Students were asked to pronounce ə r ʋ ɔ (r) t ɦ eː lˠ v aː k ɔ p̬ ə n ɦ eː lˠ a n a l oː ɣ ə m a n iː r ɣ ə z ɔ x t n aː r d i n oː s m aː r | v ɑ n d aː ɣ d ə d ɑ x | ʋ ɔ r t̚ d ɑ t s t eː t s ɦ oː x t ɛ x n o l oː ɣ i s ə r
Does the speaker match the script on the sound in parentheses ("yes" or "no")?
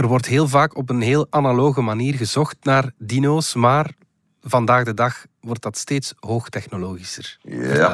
yes